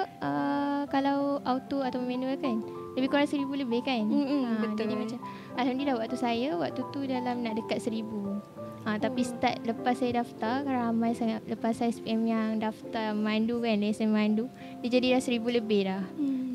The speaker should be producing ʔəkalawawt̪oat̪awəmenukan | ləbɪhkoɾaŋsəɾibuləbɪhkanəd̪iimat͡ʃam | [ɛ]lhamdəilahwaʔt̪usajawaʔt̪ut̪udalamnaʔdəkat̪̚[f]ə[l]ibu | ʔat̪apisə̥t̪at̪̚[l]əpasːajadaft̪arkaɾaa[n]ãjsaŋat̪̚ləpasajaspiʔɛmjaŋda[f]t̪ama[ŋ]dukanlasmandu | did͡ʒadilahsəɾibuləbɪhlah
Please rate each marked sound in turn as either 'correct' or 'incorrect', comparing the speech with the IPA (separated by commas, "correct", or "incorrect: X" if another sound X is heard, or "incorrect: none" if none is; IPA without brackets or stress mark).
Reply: incorrect: a, incorrect: s, incorrect: ɾ, correct, incorrect: m, correct, incorrect: n